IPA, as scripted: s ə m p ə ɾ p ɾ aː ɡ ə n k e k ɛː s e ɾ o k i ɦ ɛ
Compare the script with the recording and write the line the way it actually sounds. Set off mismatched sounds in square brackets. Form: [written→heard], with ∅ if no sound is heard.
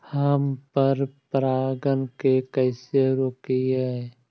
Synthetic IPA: [s→h] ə m p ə ɾ p ɾ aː ɡ ə n k e k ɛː s e ɾ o k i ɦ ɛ